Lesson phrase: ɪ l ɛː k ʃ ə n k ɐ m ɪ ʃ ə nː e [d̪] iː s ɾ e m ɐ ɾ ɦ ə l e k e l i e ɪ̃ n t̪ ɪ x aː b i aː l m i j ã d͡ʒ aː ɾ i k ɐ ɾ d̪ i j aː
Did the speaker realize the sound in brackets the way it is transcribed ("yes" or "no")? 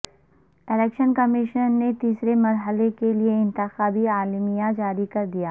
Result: no